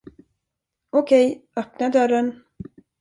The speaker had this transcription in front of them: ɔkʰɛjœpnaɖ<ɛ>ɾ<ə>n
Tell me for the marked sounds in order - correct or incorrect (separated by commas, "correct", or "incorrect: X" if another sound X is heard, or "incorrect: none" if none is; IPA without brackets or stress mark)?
incorrect: œ, correct